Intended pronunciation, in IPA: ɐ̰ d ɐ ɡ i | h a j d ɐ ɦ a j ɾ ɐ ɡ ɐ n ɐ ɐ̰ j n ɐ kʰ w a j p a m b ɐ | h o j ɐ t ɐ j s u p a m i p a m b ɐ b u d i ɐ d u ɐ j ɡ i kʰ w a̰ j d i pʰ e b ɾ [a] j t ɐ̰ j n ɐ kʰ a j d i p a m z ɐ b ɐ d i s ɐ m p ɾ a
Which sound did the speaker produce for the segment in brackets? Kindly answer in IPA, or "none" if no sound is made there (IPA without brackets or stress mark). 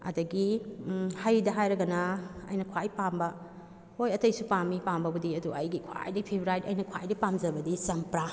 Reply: a